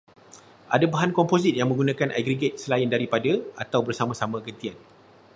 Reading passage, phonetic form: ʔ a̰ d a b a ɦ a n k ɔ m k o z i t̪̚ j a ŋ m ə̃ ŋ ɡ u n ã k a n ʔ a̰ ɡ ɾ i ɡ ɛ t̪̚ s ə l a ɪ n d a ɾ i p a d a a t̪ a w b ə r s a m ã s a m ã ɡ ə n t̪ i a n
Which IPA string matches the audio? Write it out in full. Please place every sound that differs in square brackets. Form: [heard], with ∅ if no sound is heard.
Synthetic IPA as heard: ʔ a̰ d a b a ɦ a n k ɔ m [p] o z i t̪̚ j a ŋ m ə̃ ŋ ɡ u n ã k a n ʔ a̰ ɡ ɾ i ɡ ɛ t̪̚ s ə l a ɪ n d a ɾ i p a d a a t̪ a w b ə r s a m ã s a m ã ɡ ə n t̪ i a n